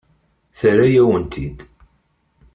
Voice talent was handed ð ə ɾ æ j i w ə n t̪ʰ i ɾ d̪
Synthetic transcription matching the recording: θ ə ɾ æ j æ w ə n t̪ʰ i d̪